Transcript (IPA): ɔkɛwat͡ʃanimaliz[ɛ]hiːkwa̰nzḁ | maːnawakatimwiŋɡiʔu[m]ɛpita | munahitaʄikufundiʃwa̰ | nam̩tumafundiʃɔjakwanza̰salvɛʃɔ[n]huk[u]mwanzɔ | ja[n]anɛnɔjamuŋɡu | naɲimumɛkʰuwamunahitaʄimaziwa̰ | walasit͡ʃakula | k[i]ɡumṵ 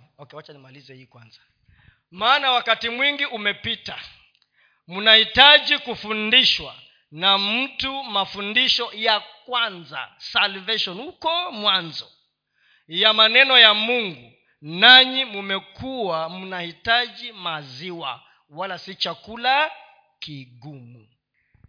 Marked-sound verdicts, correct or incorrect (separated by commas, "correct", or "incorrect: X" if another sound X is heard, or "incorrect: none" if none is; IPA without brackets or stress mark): correct, correct, correct, incorrect: ɔ, incorrect: m, correct